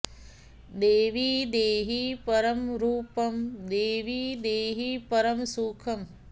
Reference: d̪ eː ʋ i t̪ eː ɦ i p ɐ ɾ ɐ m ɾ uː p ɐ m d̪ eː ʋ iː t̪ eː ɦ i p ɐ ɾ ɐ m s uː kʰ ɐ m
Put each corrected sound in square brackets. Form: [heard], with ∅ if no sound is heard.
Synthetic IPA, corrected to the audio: d̪ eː ʋ i [d̪] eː ɦ i p ɐ ɾ ɐ m ɾ uː p ɐ m d̪ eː ʋ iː [d̪] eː ɦ i p ɐ ɾ ɐ m s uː kʰ ɐ m